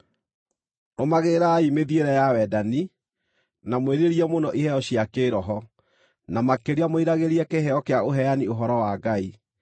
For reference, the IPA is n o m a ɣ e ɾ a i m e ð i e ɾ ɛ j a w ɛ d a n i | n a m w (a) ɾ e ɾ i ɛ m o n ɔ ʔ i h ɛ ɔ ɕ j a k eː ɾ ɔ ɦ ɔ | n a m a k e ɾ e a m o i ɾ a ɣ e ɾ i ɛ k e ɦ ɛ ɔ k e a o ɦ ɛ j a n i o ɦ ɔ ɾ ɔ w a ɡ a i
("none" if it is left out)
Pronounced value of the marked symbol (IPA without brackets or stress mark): e